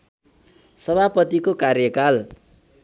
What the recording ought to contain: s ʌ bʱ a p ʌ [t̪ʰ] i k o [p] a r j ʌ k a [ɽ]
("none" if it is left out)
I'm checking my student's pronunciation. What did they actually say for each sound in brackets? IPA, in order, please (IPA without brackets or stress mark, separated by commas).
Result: t̪, k, l